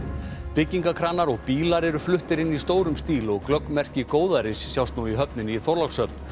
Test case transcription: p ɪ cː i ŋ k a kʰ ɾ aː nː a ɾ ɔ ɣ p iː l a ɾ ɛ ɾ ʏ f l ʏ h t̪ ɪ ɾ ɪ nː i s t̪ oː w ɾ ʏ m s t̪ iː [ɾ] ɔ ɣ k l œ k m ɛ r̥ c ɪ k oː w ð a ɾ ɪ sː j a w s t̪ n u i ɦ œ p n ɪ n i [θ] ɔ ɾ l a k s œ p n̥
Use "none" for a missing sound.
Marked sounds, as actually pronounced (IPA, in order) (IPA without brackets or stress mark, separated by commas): l, θ